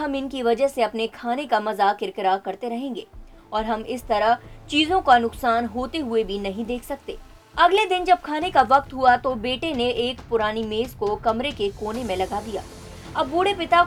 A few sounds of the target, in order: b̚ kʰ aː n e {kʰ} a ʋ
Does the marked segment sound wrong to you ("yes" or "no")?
yes